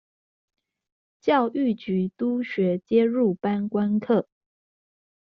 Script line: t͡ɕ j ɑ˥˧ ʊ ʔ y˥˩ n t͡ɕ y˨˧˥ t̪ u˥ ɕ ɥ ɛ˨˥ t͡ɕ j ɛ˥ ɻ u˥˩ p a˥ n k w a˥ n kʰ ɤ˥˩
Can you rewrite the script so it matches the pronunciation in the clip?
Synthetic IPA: t͡ɕ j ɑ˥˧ ʊ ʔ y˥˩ t͡ɕ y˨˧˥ t̪ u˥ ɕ ɥ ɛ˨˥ t͡ɕ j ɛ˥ ɻ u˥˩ p a˥ n k w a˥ n kʰ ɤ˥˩

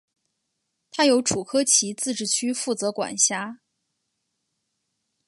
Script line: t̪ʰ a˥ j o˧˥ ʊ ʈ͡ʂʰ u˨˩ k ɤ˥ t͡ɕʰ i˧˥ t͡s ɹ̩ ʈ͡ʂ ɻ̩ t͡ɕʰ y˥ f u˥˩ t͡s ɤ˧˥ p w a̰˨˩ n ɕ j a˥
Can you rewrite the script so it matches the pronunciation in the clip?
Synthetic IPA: t̪ʰ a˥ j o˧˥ ʊ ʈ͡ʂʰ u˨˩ kʰ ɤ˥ t͡ɕʰ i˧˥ t͡s ɹ̩ ʈ͡ʂ ɻ̩ t͡ɕʰ y˥ f u˥˩ t͡s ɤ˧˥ k w a̰˨˩ n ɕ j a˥

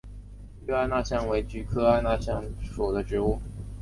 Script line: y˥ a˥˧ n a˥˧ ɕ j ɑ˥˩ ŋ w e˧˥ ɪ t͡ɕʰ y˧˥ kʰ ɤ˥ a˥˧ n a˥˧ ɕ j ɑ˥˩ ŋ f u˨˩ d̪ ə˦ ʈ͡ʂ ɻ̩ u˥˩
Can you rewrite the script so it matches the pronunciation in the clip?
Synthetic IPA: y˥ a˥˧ n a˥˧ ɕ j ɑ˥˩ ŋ w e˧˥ ɪ t͡ɕ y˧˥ kʰ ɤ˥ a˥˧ n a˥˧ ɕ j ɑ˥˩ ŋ ʂ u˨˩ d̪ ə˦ ʈ͡ʂ ɻ̩ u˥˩

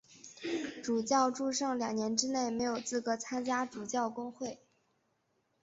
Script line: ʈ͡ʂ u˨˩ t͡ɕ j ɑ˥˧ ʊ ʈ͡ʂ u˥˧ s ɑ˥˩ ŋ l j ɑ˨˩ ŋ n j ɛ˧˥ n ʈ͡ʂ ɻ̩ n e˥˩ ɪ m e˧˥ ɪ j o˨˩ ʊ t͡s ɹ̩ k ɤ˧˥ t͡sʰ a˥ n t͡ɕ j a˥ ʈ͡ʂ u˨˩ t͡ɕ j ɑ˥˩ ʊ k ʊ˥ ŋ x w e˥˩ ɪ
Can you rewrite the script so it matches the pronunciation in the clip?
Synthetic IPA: ʈ͡ʂ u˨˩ t͡ɕ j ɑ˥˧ ʊ ʈ͡ʂ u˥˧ ʂ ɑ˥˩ ŋ l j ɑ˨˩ ŋ n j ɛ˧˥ n ʈ͡ʂ ɻ̩ n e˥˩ ɪ m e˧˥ ɪ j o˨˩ ʊ t͡s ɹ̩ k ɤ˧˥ t͡sʰ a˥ n t͡ɕ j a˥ ʈ͡ʂ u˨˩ t͡ɕ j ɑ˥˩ ʊ k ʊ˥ ŋ x w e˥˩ ɪ

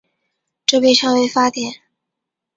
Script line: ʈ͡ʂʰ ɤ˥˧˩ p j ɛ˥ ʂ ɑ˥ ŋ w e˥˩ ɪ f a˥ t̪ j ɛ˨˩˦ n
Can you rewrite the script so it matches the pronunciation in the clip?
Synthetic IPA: ʈ͡ʂ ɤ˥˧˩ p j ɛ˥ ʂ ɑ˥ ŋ w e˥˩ ɪ f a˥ t̪ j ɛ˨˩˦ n

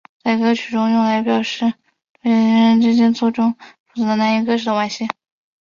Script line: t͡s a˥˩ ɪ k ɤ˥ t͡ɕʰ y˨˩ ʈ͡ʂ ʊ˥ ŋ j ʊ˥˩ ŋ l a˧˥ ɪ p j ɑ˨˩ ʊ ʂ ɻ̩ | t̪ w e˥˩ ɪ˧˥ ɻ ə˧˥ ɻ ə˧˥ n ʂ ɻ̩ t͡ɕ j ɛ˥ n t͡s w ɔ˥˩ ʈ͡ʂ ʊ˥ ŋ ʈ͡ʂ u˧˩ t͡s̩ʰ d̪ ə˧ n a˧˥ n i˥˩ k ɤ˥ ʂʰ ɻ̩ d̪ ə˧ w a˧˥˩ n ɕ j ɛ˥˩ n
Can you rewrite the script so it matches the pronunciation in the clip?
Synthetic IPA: t͡s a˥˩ ɪ k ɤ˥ t͡ɕʰ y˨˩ ʈ͡ʂ ʊ˥ ŋ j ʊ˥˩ ŋ l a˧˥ ɪ p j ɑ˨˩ ʊ ʂ ɻ̩ | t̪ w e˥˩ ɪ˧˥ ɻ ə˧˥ ɻ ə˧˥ n ʈ͡ʂ ɻ̩ t͡ɕ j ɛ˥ n t͡s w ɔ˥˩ ʈ͡ʂ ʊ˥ ŋ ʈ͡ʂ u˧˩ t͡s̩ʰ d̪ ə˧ n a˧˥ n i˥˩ k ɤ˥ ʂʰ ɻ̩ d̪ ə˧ w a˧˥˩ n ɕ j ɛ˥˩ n

